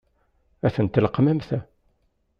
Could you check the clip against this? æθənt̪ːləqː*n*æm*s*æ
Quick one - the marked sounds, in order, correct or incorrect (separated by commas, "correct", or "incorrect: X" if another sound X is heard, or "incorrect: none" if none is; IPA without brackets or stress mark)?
incorrect: m, incorrect: θ